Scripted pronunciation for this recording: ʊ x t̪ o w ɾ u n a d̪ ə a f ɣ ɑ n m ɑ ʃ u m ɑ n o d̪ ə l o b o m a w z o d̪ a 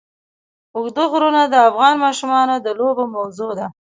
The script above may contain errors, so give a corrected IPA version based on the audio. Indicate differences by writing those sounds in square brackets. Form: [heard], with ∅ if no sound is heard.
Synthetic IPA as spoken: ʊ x [d̪] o [ɣ] ɾ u n a d̪ ə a f ɣ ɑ n m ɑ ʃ u m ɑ n o d̪ ə l o b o m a w z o d̪ a

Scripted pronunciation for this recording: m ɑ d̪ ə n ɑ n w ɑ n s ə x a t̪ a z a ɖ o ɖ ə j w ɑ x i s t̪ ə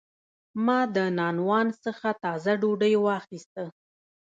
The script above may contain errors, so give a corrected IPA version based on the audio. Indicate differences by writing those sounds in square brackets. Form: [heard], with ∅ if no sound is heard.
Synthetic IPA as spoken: m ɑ d̪ ə n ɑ n w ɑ n s ə x a t̪ [ɑ] z a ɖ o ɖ ə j w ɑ x i s t̪ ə

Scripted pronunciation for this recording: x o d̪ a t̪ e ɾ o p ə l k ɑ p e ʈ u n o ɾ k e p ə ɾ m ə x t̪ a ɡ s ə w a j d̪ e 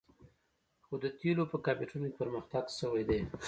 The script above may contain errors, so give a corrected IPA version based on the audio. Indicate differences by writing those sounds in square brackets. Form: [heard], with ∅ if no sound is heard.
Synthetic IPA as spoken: x o d̪ [ə] t̪ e [l] o p ə [∅] k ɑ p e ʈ u n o [∅] k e p ə ɾ m ə x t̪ a ɡ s ə w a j d̪ e

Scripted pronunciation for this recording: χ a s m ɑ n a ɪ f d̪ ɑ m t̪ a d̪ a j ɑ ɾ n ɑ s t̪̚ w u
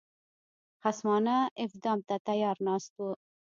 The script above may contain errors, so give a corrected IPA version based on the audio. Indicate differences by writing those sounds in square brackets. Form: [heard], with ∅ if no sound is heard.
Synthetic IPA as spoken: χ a s m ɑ n a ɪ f d̪ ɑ m t̪ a [t̪] a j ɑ ɾ n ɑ s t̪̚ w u

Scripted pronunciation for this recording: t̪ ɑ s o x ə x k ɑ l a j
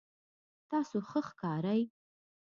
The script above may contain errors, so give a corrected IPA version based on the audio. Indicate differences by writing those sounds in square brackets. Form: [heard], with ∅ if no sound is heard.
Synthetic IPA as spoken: t̪ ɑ s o x ə x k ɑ [ɾ] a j

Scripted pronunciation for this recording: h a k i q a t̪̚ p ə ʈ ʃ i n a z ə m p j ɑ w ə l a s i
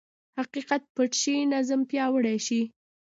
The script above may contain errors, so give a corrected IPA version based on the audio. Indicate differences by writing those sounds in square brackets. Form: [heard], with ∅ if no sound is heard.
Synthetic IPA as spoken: h a [q] i q a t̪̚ p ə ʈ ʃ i n a z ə m p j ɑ w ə [ɽ] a [ʃ] i

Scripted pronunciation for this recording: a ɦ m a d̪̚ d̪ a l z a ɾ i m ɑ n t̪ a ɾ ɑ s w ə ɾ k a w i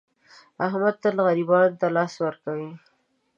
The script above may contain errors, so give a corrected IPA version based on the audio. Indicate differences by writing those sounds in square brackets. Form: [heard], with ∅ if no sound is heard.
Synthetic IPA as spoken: a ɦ m a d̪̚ [t̪] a l [ɣ] a ɾ i [b] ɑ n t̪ a [l] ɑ s w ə ɾ k a w i

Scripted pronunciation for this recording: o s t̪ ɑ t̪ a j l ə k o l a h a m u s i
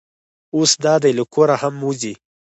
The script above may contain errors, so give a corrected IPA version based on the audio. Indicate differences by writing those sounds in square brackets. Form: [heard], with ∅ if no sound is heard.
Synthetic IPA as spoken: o s [d̪] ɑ [d̪] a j l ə k o [ɾ] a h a m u [z] i

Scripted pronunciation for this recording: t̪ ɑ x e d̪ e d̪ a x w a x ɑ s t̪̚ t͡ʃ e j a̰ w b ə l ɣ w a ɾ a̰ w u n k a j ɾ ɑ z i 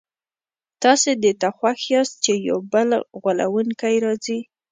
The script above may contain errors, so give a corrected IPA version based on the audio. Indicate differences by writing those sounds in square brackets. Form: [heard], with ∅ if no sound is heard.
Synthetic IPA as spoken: t̪ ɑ [s] e d̪ e [t̪] a x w a x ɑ s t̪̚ t͡ʃ e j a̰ w b ə l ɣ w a [l] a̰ w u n k a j ɾ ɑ z i

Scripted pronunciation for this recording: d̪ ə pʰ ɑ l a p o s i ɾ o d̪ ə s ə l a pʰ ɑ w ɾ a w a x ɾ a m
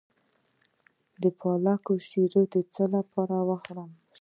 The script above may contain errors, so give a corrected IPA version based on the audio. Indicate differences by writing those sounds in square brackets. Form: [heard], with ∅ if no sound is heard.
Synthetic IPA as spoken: d̪ ə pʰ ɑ l a [k] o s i ɾ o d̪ ə [t͡s] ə l a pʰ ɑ [∅] ɾ a w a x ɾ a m

